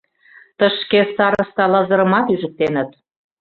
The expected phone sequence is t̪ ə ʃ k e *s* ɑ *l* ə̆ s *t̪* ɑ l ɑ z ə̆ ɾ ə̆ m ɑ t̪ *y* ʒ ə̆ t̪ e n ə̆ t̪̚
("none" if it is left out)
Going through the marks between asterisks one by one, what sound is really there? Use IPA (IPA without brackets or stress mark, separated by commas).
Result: s, ɾ, t̪, y